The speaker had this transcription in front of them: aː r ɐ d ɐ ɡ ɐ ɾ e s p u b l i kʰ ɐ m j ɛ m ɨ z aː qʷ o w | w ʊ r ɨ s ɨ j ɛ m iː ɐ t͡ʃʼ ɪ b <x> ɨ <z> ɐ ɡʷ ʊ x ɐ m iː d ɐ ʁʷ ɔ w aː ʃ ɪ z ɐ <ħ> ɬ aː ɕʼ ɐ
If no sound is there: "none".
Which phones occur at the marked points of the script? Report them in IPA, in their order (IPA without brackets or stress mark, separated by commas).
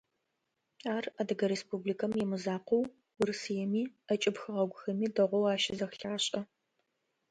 x, ʁ, x